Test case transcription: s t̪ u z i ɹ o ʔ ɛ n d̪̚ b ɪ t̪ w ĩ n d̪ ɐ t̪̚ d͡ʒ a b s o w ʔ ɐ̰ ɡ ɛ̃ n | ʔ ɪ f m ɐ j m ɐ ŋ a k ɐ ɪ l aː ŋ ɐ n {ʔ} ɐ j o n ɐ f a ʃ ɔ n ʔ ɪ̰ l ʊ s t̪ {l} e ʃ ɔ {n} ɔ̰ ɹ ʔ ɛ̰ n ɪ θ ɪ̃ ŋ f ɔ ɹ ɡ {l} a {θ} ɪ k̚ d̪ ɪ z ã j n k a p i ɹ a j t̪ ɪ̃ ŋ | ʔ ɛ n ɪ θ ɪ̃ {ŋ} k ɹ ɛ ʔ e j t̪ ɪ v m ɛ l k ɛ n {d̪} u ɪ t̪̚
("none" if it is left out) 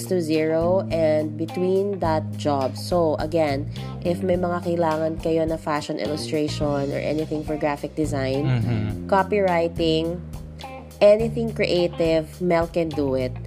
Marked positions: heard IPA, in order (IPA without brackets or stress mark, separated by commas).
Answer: k, ɹ, n, ɹ, f, ŋ, d̪